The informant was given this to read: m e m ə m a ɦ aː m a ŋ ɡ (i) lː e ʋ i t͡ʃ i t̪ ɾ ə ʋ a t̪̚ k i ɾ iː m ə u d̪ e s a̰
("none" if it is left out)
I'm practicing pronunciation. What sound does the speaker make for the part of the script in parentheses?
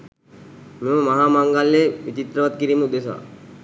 a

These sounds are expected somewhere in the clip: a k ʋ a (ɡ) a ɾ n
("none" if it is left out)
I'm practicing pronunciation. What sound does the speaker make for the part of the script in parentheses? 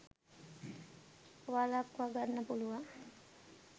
ɡ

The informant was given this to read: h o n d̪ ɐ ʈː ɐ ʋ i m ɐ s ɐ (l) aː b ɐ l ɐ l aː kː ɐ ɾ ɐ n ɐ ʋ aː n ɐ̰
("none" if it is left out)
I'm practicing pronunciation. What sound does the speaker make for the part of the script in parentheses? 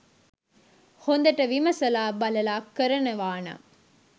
l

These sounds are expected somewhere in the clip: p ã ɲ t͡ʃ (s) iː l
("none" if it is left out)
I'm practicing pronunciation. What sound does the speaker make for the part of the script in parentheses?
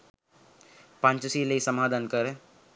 s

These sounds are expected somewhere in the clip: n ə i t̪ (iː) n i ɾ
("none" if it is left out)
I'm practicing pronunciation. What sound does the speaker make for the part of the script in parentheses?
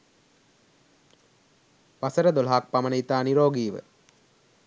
aː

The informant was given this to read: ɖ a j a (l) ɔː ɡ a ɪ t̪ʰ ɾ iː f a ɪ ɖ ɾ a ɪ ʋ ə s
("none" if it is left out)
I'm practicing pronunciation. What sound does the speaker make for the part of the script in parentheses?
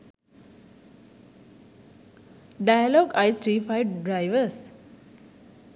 l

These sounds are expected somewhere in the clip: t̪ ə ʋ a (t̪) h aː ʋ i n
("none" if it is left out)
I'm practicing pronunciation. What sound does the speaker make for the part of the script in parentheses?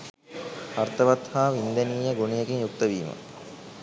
t̪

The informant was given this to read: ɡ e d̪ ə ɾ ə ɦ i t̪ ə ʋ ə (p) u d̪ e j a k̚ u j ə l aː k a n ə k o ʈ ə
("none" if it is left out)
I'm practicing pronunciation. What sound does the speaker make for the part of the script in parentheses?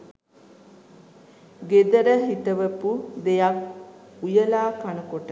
p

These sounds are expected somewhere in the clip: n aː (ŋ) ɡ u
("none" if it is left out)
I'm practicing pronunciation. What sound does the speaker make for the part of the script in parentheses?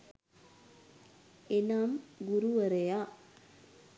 m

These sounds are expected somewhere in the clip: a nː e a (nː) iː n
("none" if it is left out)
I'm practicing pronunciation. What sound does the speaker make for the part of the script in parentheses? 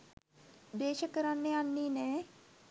nː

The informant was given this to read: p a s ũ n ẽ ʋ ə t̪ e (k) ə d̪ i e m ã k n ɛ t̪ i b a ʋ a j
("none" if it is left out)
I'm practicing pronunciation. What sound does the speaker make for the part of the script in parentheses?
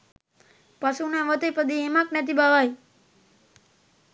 p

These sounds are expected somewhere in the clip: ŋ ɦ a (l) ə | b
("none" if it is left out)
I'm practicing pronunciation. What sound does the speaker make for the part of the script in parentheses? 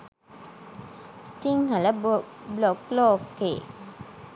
l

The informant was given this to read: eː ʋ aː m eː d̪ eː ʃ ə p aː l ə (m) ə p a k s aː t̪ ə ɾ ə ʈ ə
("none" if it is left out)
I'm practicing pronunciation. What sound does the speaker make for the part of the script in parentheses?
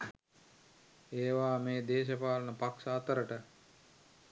n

